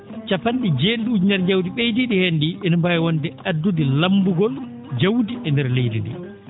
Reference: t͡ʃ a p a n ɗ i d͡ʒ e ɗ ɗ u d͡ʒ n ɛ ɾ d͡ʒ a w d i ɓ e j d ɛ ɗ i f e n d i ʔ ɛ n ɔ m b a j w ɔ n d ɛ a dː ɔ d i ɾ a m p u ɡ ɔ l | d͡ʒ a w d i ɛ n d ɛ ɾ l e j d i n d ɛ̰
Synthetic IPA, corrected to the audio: t͡ʃ a p a n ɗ i d͡ʒ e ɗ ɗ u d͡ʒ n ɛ ɾ d͡ʒ a w d i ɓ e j d i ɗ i h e n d i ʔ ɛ n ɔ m b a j w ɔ n d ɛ a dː u d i l a m b u ɡ ɔ l | d͡ʒ a w d i ɛ n d ɛ ɾ l e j d i n d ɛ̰